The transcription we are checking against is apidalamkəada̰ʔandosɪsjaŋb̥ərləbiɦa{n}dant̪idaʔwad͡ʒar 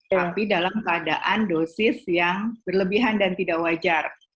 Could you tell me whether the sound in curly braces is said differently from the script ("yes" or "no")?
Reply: no